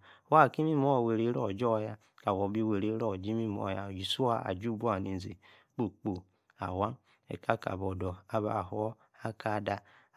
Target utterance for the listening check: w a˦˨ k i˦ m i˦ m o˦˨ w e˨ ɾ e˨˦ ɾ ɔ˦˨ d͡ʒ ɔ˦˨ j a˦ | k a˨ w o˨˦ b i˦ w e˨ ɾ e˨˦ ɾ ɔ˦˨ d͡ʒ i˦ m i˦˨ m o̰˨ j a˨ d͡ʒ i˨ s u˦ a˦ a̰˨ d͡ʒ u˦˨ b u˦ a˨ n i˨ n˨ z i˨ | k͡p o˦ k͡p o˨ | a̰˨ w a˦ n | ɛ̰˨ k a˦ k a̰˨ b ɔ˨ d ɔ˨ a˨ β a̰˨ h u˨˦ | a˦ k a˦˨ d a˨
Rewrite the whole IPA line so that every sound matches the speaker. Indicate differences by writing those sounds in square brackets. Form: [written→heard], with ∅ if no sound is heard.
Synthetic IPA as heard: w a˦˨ k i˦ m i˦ m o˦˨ w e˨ ɾ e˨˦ ɾ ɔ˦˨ d͡ʒ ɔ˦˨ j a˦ | k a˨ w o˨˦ b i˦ w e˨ ɾ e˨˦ ɾ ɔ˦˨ d͡ʒ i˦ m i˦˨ m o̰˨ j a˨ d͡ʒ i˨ s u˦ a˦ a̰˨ d͡ʒ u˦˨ b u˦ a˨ n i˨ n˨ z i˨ | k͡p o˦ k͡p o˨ | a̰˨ w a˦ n | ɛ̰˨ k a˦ k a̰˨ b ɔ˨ d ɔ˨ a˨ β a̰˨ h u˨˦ | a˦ k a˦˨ d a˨